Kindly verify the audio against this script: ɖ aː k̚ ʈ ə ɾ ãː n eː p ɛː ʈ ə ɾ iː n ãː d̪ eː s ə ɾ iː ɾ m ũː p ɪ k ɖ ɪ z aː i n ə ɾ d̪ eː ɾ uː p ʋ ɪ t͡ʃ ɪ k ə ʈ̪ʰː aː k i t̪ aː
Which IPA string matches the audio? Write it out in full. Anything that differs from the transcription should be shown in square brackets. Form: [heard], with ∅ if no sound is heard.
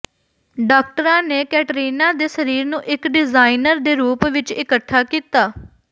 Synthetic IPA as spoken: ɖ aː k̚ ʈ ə ɾ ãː n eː [k] ɛː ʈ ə ɾ iː n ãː d̪ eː s ə ɾ iː ɾ [n] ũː [ʔ] ɪ k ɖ ɪ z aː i n ə ɾ d̪ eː ɾ uː p ʋ ɪ t͡ʃ ɪ k ə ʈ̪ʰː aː k [iː] t̪ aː